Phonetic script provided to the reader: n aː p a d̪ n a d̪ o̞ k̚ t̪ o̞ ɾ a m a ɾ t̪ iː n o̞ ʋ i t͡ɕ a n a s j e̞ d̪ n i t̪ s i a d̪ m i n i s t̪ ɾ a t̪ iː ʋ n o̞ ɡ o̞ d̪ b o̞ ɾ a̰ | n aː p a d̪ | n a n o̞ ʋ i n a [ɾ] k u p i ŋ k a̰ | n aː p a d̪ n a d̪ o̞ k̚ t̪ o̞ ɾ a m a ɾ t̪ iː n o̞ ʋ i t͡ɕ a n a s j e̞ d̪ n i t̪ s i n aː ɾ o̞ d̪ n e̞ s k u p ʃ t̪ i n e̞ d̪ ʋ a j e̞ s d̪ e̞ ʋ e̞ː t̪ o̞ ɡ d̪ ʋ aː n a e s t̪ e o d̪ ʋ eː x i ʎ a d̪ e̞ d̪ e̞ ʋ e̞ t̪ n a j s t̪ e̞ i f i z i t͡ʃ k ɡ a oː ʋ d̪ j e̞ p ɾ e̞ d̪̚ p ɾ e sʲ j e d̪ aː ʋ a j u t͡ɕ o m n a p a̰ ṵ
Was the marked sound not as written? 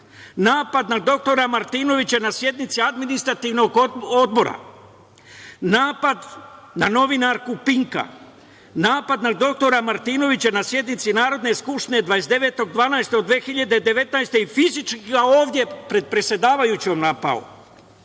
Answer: no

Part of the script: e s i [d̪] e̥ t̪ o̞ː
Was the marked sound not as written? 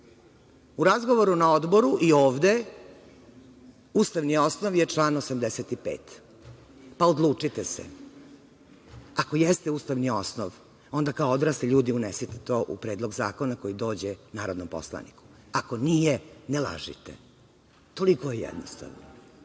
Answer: yes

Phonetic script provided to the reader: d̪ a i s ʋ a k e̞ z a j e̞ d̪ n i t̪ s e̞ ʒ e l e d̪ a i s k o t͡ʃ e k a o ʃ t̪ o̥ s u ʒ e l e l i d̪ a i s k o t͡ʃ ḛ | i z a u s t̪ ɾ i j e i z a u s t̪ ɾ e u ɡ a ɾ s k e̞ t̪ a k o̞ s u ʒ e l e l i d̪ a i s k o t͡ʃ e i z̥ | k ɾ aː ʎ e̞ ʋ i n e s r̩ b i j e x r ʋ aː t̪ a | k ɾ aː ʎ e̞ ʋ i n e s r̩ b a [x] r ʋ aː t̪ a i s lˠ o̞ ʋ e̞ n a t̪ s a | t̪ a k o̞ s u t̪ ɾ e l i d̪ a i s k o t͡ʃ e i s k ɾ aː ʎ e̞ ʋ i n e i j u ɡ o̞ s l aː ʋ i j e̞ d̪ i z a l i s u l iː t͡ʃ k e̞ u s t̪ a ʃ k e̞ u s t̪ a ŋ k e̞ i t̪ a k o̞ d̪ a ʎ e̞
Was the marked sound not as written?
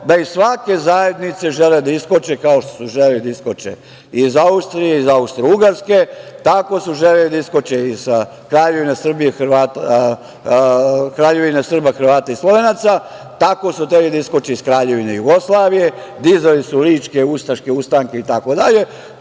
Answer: no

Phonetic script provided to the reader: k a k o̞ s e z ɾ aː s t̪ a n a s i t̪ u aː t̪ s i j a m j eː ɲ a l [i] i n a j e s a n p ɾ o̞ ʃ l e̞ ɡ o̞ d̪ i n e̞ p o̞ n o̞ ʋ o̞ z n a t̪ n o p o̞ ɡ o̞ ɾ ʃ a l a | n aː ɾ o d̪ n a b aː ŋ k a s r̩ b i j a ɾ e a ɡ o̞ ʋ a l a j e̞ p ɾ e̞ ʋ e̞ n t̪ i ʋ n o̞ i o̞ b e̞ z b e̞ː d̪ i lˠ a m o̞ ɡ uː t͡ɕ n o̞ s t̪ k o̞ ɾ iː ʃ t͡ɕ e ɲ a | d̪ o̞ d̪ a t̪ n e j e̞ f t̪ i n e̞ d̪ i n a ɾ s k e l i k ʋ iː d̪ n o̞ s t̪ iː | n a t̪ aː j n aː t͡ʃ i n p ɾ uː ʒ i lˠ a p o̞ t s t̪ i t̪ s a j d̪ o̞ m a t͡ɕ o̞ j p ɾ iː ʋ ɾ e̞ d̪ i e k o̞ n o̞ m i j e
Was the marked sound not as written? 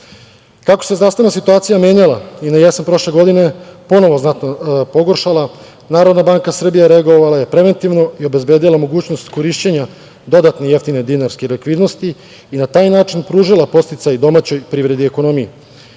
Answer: yes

